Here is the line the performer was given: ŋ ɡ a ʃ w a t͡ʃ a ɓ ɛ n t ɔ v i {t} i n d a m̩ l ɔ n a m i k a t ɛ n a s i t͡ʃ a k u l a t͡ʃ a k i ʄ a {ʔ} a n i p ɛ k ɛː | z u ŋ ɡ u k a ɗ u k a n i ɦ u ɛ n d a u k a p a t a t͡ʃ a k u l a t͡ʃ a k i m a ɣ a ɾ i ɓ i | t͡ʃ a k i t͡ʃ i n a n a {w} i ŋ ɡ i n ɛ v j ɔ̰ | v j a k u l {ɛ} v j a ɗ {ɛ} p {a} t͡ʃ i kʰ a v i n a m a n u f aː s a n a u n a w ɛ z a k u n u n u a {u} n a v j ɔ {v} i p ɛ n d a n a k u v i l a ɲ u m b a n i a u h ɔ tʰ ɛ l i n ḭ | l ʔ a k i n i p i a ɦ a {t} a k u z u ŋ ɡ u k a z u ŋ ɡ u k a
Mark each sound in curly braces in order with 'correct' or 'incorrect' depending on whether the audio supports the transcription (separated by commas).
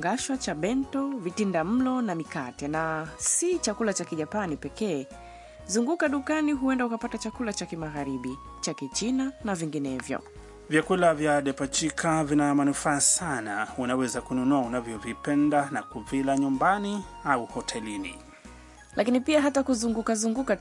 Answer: correct, incorrect, incorrect, incorrect, correct, correct, correct, correct, correct